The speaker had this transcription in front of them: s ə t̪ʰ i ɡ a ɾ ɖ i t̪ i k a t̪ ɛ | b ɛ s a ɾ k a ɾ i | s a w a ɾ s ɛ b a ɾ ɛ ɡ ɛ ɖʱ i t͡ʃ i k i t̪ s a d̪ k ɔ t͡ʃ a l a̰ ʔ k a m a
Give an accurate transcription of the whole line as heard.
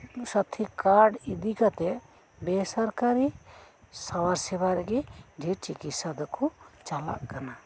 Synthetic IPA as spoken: s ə t̪ʰ i k a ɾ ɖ i d̪ i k a t̪ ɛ | b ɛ s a ɾ k a ɾ i | s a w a ɾ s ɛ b a ɾ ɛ ɡ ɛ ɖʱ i t͡ʃ i k i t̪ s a d̪ k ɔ t͡ʃ a l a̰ ʔ k a n a